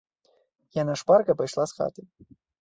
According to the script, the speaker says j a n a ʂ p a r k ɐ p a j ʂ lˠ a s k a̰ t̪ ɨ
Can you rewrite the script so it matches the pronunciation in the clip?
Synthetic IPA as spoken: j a n a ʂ p a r k ɐ p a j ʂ lˠ a s x a̰ t̪ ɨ

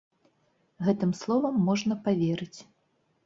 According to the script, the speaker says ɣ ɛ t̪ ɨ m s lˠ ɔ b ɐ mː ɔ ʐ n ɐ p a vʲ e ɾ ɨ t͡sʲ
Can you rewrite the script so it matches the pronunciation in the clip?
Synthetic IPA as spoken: ɣ ɛ t̪ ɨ m s lˠ ɔ v ɐ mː ɔ ʐ n ɐ p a vʲ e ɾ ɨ t͡sʲ

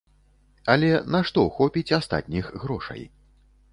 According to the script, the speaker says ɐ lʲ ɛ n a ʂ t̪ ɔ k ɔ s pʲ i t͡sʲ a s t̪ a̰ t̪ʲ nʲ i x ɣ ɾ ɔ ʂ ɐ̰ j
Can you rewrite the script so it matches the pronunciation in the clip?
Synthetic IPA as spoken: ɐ lʲ ɛ n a ʂ t̪ ɔ x ɔ pʲ i t͡sʲ a s t̪ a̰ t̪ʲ nʲ i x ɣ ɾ ɔ ʂ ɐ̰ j

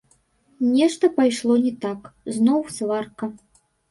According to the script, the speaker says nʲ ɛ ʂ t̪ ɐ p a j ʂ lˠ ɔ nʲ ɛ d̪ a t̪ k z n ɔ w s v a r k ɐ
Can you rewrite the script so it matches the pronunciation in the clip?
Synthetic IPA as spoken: nʲ ɛ ʂ t̪ ɐ p a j ʂ lˠ ɔ nʲ ɛ t̪ a k z n ɔ w s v a r k ɐ

